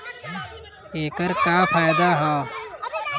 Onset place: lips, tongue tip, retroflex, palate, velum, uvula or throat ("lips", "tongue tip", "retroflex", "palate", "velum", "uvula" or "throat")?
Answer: velum